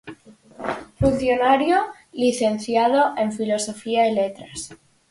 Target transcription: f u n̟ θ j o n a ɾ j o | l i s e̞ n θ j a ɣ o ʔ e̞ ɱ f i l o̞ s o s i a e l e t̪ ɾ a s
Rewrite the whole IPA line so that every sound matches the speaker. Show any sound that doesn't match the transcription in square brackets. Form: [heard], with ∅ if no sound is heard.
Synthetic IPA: f u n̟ θ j o n a ɾ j o | l i [θ] e̞ n θ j a [ð] o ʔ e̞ ɱ f i l o̞ s o [f] i a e l e t̪ ɾ a s